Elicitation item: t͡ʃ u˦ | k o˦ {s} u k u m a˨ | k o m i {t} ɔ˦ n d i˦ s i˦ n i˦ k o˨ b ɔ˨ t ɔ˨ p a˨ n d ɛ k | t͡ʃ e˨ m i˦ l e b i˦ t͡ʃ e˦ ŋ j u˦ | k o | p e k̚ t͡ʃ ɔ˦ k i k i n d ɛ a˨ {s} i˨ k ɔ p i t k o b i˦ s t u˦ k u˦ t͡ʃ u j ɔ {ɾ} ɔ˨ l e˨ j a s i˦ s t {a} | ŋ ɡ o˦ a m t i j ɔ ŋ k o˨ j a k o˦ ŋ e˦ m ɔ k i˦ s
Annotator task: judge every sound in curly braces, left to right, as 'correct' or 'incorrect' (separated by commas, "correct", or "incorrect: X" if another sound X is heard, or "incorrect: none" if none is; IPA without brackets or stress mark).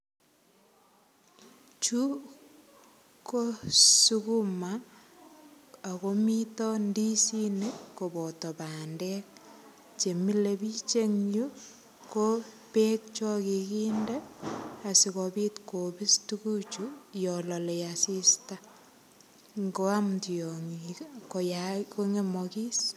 correct, correct, correct, incorrect: l, correct